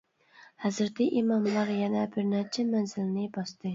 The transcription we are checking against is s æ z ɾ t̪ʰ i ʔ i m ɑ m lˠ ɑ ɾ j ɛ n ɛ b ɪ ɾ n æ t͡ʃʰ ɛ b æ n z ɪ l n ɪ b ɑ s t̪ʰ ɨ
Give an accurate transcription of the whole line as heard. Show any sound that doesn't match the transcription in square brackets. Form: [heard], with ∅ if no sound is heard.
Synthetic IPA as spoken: [h] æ z ɾ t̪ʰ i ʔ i m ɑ m lˠ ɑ ɾ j ɛ n ɛ b ɪ ɾ n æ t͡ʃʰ ɛ [m] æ n z ɪ l n ɪ b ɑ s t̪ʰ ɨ